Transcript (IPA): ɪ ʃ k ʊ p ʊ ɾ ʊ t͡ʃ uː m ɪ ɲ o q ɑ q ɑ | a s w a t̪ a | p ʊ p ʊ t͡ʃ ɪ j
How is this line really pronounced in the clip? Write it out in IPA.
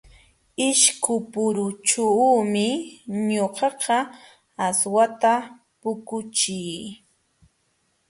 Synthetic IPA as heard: ɪ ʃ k ʊ p ʊ ɾ ʊ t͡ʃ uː m ɪ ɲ o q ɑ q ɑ | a s w a t̪ a | p ʊ k ʊ t͡ʃ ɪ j